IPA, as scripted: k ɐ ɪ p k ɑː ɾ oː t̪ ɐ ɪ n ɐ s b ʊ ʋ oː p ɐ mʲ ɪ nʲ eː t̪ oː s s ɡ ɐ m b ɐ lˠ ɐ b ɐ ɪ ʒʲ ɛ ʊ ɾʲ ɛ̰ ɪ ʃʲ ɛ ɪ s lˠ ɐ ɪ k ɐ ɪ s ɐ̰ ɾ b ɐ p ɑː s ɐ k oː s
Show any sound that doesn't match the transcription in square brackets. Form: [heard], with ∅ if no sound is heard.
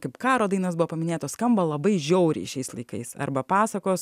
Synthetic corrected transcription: k ɐ ɪ p k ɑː ɾ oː [d̪] ɐ ɪ n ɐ s b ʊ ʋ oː p ɐ mʲ ɪ nʲ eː t̪ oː s s [k] ɐ m b ɐ lˠ ɐ b ɐ ɪ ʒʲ ɛ ʊ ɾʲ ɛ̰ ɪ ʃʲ ɛ ɪ s lˠ ɐ ɪ k ɐ ɪ s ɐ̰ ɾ b ɐ p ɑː s ɐ k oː s